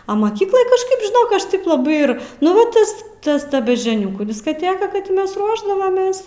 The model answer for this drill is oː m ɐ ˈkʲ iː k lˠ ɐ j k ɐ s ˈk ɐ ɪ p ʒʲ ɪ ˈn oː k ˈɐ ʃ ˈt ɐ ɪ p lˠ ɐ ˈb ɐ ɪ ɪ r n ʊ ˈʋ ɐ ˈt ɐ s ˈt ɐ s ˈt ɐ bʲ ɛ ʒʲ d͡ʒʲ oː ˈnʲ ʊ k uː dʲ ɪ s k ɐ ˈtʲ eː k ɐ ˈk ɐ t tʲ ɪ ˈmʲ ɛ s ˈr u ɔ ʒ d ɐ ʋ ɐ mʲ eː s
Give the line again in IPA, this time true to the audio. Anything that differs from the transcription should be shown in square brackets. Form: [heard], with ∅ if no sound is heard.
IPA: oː m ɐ ˈkʲ iː k lˠ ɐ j k ɐ [ʃ] ˈk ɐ ɪ p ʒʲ ɪ ˈn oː k ˈɐ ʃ ˈt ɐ ɪ p lˠ ɐ ˈb ɐ ɪ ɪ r n ʊ ˈʋ ɐ ˈt ɐ s ˈt ɐ s ˈt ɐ bʲ ɛ ʒʲ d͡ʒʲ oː ˈnʲ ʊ k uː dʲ ɪ s k ɐ ˈtʲ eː k ɐ ˈk ɐ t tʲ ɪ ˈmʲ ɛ s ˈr u ɔ ʒ d ɐ ʋ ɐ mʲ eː s